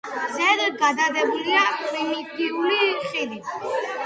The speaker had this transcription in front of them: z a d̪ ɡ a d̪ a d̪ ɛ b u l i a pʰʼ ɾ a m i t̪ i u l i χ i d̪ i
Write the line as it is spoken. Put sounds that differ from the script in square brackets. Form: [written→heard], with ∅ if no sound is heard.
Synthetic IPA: z [a→ɛ] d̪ ɡ a d̪ a d̪ ɛ b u l i a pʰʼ ɾ [a→i] m i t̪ i u l i χ i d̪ i

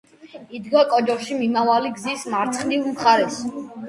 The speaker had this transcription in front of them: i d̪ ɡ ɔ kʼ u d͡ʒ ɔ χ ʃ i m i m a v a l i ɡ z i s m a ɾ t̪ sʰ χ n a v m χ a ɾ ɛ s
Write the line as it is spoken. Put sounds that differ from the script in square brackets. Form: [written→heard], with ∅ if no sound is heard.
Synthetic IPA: i d̪ ɡ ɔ kʼ [u→ɔ] d͡ʒ ɔ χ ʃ i m i m a v a l i ɡ z i s m a ɾ t̪ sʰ χ n [a→i] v m χ a ɾ ɛ s

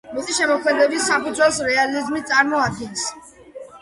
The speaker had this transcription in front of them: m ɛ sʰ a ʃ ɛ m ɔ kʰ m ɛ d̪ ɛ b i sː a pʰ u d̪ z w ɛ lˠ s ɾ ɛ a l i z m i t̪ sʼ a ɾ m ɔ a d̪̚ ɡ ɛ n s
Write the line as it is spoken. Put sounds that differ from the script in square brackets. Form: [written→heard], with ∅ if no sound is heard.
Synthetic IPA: m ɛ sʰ [a→i] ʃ ɛ m ɔ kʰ m ɛ d̪ ɛ b i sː a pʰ u d̪ z w ɛ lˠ s ɾ ɛ a l i z m i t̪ sʼ a ɾ m ɔ a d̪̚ ɡ ɛ n s

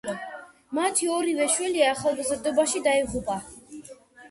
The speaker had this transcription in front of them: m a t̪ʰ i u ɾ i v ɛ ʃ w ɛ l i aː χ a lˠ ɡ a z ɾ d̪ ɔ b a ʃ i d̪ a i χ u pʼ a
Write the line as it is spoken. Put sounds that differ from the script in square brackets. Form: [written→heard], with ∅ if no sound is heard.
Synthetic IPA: m a t̪ʰ i [u→ɔ] ɾ i v ɛ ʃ w ɛ l i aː χ a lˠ ɡ a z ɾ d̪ ɔ b a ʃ i d̪ a i [χ→ʁ] u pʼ a

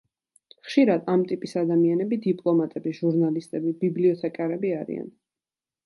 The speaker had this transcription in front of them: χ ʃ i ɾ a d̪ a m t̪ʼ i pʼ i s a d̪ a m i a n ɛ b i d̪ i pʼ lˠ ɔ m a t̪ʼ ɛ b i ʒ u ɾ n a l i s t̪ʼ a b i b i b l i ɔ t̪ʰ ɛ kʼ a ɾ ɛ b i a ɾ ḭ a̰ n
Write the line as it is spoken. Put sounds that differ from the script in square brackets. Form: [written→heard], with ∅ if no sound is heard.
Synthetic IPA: χ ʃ i ɾ a d̪ a m t̪ʼ i pʼ i s a d̪ a m i a n ɛ b i d̪ i pʼ lˠ ɔ m a t̪ʼ ɛ b i ʒ u ɾ n a l i s t̪ʼ [a→ɛ] b i b i b l i ɔ t̪ʰ ɛ kʼ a ɾ ɛ b i a ɾ ḭ a̰ n

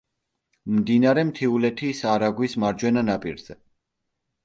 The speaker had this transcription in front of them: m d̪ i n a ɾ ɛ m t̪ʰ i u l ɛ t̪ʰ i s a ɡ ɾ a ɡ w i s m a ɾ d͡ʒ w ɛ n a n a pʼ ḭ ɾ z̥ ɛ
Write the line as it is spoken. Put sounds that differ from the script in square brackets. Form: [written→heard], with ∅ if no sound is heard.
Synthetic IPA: m d̪ i n a ɾ ɛ m t̪ʰ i u l ɛ t̪ʰ i s a [ɡ→∅] ɾ a ɡ w i s m a ɾ d͡ʒ w ɛ n a n a pʼ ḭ ɾ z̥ ɛ

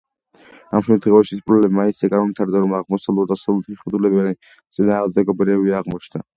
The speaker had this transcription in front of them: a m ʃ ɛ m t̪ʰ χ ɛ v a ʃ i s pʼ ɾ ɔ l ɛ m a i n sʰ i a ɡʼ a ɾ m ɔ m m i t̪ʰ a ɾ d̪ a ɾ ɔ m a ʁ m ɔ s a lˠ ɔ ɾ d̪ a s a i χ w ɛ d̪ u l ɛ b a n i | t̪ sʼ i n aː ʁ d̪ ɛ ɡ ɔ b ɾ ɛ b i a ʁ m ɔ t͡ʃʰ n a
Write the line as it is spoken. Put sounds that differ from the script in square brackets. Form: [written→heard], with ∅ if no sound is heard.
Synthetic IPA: a m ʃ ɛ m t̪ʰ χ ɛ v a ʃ i s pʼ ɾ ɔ l ɛ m a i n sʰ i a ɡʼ a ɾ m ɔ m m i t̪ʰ a ɾ d̪ a ɾ ɔ m a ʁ m ɔ s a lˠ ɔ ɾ d̪ a s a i χ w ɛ d̪ u l ɛ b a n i | t̪ sʼ i n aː ʁ d̪ ɛ ɡ ɔ b ɾ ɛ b i a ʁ m ɔ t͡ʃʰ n a

